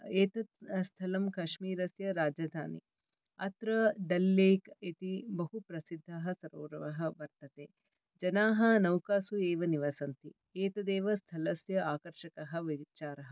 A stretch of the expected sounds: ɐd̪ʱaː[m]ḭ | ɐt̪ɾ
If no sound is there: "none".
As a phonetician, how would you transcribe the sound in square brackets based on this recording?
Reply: n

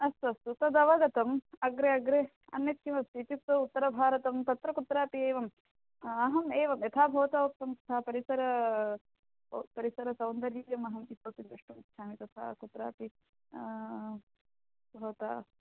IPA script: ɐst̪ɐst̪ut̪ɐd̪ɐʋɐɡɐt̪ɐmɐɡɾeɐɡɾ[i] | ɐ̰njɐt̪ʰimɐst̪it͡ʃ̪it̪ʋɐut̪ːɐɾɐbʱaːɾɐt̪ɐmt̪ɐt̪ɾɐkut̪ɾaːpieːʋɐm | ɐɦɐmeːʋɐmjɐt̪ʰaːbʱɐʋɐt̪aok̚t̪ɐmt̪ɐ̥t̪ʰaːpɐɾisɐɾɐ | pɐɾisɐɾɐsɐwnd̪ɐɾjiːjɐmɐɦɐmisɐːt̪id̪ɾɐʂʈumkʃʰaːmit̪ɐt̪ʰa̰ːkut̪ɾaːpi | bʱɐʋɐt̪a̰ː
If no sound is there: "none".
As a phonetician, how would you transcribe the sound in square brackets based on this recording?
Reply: e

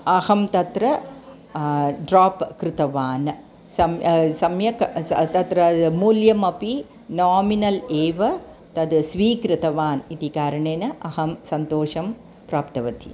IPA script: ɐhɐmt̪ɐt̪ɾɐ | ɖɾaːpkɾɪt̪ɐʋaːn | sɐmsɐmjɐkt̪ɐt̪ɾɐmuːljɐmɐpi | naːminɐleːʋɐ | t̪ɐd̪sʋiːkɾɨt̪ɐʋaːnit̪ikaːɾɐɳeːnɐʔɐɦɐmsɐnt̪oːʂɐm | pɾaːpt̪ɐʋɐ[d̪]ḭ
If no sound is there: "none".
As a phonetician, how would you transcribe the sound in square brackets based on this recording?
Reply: t̪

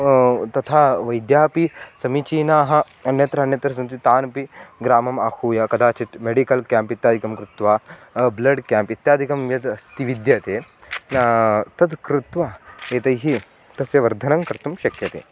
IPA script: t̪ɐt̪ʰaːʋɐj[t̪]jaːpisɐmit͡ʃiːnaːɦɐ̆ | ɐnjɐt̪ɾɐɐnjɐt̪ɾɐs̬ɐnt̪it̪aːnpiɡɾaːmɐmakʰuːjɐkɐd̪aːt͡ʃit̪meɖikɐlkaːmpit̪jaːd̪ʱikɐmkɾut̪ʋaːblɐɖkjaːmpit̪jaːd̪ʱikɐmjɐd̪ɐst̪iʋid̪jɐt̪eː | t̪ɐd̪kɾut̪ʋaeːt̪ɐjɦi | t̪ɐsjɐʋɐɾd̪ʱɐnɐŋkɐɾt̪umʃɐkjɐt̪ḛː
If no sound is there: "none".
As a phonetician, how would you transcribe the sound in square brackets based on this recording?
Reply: d̪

